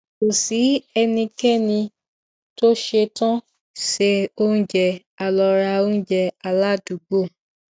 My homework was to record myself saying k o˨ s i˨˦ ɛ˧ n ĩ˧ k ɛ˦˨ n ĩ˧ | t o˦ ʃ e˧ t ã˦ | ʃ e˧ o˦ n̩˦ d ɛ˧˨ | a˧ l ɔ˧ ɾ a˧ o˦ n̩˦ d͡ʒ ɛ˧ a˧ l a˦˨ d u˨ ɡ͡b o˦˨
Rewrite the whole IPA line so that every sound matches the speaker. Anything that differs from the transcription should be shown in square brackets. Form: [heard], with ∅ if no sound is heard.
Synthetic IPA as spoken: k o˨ s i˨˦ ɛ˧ n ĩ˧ k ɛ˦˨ n ĩ˧ | t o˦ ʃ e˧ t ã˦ | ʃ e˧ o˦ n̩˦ [d͡ʒ] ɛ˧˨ | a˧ l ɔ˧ ɾ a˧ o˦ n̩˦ d͡ʒ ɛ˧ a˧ l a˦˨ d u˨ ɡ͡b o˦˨